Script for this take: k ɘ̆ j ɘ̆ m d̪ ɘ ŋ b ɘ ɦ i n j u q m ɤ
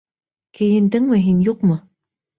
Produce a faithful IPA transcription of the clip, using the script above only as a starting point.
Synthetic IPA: k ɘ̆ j ɘ̆ n d̪ ɘ ŋ m ɘ ɦ i n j u q m ɤ